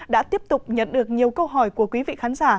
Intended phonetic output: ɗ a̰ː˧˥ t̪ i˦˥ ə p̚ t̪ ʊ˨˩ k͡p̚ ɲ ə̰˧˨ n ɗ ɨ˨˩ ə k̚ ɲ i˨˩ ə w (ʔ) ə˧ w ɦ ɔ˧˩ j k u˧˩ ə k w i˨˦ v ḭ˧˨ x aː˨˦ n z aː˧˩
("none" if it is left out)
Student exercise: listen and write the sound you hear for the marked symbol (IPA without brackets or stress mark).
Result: k